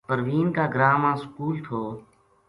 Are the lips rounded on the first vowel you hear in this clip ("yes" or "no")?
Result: no